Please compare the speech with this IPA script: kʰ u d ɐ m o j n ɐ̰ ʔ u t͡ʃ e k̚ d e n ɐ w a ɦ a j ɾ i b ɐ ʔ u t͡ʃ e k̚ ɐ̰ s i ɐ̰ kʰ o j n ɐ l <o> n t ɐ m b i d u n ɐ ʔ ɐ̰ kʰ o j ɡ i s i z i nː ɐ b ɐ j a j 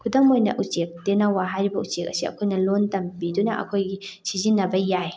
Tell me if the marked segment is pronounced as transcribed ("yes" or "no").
yes